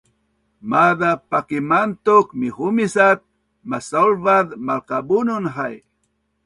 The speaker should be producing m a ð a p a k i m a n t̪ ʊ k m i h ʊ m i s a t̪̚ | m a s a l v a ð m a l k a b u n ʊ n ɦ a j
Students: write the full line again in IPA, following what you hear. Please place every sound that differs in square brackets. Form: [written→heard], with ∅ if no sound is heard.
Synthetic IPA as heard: m a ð a p a k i m a n t̪ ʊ k m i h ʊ m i s a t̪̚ | m a s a l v a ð m a l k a b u n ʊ n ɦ a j